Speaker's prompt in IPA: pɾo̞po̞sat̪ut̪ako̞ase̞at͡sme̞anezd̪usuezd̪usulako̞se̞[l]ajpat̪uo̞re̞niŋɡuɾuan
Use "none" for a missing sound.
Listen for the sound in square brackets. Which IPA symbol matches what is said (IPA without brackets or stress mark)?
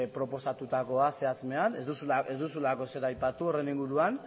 ɾ